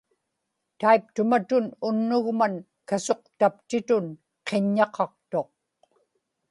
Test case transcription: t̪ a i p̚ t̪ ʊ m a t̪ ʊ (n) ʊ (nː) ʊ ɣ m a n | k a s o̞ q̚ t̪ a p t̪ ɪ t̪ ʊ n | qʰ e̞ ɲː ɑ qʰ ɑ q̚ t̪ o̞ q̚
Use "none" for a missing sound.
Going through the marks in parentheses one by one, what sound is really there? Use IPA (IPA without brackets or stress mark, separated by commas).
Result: n, nː